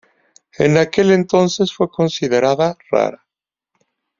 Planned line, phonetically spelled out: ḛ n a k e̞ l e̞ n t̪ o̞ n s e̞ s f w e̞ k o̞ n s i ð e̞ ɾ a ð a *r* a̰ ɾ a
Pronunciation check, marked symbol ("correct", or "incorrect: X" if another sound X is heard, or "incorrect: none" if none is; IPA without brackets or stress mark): correct